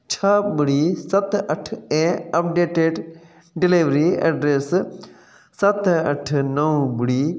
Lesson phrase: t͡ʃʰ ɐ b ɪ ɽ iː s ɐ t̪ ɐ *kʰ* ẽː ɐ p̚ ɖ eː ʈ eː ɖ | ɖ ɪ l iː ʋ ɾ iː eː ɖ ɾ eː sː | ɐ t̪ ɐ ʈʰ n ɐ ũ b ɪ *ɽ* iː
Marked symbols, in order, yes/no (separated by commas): no, yes